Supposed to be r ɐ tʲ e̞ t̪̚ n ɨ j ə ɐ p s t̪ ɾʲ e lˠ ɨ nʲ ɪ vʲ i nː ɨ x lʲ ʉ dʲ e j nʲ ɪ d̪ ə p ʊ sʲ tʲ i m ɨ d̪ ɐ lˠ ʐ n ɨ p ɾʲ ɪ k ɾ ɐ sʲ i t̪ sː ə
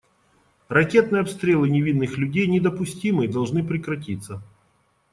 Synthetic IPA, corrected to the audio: r ɐ kʲ e̞ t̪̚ n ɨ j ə ɐ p s t̪ ɾʲ e lˠ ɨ nʲ ɪ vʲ i nː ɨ x lʲ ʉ dʲ e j nʲ ɪ d̪ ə p ʊ sʲ tʲ i m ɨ d̪ ɐ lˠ ʐ n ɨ p ɾʲ ɪ k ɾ ɐ tʲ i t̪ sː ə